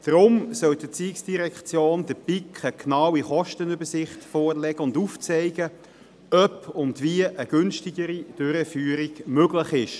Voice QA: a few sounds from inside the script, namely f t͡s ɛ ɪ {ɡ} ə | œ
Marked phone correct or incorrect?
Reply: correct